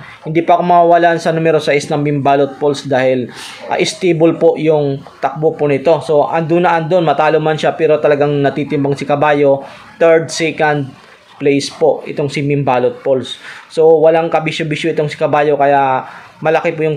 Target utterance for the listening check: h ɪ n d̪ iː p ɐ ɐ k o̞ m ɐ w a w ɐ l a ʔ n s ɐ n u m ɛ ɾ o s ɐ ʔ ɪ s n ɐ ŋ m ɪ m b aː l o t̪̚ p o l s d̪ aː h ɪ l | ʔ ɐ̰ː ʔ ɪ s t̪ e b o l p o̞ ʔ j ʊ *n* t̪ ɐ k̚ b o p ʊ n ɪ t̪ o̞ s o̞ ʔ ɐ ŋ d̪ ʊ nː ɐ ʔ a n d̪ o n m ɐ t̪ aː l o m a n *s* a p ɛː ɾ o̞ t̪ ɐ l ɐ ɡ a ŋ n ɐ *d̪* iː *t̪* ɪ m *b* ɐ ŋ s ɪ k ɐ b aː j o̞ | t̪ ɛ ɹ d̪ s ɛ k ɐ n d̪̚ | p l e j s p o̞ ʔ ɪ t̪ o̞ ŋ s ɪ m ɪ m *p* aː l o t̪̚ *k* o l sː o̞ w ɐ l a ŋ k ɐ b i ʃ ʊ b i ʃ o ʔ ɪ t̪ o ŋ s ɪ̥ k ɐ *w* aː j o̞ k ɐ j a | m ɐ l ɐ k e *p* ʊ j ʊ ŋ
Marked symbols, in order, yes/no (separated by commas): no, no, no, yes, yes, no, no, no, yes